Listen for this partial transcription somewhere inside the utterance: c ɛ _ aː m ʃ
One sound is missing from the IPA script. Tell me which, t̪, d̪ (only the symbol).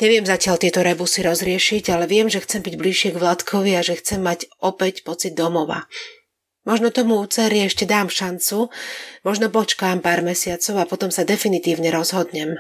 d̪